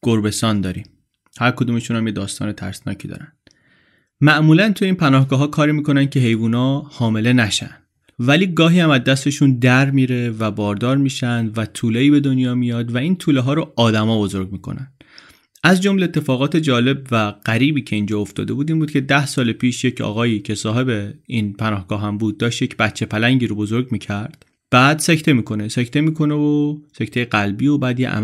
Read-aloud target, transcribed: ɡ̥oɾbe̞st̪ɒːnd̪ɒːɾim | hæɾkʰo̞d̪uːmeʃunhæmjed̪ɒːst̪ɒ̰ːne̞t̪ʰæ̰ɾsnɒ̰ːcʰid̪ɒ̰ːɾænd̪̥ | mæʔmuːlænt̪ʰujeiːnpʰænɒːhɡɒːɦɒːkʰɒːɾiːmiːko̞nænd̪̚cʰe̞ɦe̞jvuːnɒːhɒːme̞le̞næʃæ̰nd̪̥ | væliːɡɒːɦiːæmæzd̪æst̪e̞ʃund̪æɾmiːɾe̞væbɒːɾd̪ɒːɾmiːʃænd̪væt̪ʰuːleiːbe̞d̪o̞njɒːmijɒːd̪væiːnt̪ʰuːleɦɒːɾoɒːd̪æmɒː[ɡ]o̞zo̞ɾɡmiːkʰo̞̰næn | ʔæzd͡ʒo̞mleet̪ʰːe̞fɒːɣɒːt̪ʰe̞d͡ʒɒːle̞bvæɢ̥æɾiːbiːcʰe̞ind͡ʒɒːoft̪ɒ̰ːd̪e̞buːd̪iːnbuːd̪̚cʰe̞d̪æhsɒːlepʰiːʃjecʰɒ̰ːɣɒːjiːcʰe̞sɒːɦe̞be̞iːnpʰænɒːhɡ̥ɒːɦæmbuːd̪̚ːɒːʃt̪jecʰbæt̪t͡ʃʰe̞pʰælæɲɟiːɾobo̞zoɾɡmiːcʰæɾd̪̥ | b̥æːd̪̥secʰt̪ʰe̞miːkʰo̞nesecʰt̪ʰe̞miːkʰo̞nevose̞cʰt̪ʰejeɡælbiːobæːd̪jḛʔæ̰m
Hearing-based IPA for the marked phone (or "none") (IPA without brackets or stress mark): b